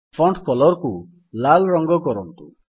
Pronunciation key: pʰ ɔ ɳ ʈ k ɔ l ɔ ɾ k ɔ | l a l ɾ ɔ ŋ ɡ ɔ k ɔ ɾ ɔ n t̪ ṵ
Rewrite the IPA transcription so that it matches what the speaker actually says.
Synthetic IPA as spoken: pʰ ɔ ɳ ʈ k ɔ l ɔ ɾ k u | l a l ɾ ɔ ŋ ɡ ɔ k ɔ ɾ ɔ n t̪ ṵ